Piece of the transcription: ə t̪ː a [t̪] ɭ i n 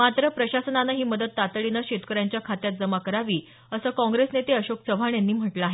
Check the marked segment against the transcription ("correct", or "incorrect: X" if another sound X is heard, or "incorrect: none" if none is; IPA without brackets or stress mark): correct